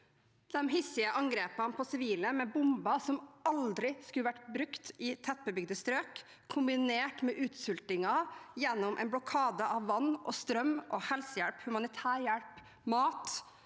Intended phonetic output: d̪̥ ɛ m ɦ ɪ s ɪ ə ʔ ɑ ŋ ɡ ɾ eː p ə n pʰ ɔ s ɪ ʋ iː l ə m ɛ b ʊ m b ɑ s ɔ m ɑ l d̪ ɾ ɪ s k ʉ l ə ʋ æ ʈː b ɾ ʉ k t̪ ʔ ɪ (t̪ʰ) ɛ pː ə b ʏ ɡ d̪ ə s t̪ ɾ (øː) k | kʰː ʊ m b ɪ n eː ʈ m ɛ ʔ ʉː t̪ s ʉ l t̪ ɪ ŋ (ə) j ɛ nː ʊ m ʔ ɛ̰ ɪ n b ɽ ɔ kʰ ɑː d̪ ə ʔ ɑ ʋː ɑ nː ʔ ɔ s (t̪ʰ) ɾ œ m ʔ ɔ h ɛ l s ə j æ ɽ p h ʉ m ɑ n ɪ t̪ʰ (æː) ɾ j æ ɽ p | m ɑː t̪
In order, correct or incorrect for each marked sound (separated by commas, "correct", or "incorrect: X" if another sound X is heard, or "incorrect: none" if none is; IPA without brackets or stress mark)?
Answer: correct, correct, incorrect: ɑ, incorrect: t̪, correct